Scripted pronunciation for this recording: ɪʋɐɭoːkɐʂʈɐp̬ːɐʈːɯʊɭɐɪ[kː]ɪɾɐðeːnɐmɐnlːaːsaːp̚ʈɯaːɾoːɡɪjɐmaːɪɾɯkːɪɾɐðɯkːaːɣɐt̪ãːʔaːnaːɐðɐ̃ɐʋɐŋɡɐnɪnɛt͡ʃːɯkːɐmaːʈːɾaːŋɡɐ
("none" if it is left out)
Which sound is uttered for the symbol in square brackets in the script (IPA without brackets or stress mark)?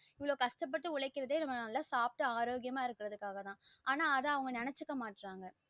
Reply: kː